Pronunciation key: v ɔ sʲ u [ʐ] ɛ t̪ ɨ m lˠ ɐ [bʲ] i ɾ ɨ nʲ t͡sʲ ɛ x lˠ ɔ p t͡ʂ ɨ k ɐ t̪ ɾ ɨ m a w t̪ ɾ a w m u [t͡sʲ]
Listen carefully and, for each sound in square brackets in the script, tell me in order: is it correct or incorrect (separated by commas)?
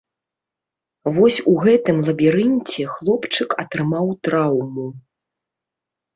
incorrect, correct, incorrect